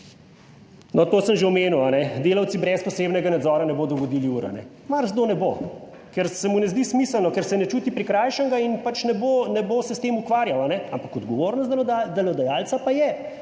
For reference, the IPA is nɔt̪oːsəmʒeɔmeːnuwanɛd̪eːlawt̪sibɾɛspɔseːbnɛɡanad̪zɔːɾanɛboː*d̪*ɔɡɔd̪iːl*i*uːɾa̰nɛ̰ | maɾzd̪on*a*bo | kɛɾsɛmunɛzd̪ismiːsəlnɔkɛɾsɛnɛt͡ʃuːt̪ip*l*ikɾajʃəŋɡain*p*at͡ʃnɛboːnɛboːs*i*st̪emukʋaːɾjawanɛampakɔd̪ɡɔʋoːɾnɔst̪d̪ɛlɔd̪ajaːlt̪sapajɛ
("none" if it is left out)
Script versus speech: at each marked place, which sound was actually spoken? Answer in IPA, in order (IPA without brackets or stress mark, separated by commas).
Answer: d̪, i, ɛ, ɾ, p, ɛ